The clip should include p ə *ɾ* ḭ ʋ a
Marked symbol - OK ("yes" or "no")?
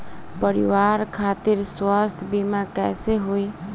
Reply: yes